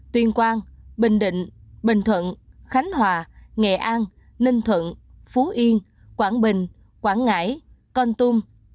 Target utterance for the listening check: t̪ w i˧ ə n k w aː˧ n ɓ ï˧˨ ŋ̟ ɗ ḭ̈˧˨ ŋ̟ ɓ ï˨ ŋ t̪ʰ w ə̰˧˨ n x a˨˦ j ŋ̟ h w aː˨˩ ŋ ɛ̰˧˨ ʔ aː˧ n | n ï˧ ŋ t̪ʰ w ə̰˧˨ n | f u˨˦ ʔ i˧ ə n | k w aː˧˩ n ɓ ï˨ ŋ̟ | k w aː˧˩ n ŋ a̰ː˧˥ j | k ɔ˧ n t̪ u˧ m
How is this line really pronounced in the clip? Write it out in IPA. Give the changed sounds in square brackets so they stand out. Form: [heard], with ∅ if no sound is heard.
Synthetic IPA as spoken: t̪ w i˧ ə n k w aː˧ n ɓ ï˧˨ ŋ̟ ɗ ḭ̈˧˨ ŋ̟ ɓ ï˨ ŋ t̪ʰ w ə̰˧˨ n x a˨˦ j ŋ̟ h w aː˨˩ ŋ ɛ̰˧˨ ʔ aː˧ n | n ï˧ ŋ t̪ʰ w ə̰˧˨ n | f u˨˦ ʔ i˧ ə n | k w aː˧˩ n ɓ ï˨ ŋ̟ | k w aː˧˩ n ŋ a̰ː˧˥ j | k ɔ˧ n t̪ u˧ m